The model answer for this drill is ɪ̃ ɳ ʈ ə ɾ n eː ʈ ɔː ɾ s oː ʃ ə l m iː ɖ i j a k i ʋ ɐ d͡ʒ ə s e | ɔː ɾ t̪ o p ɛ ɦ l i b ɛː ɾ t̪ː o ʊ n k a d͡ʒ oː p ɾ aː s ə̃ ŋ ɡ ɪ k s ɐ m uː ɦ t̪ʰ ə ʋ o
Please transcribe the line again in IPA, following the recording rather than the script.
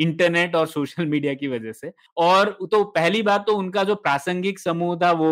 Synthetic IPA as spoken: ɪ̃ ɳ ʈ ə ɾ n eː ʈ ɔː ɾ s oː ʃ ə l m iː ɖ i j a k i ʋ ɐ d͡ʒ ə s e | ɔː ɾ t̪ o p ɛ ɦ l i b aː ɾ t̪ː o ʊ n k a d͡ʒ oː p ɾ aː s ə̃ ŋ ɡ ɪ k s ɐ m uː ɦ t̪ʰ a ʋ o